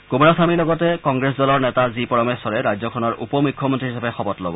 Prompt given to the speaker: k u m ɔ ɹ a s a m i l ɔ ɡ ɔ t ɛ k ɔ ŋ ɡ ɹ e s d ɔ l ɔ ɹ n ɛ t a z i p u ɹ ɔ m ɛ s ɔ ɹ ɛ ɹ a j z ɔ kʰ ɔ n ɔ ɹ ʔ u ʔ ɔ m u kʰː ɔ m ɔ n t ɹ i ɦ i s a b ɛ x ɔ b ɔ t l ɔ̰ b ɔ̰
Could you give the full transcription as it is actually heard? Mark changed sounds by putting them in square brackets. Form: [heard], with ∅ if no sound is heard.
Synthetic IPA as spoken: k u m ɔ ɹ a s a m i l ɔ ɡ ɔ t ɛ k ɔ ŋ ɡ ɹ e s d ɔ l ɔ ɹ n ɛ t a z i p [ɔ] ɹ ɔ m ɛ s ɔ ɹ ɛ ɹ a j z ɔ kʰ ɔ n ɔ ɹ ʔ u [p] ɔ m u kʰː ɔ m ɔ n t ɹ i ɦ i s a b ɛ x ɔ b ɔ t l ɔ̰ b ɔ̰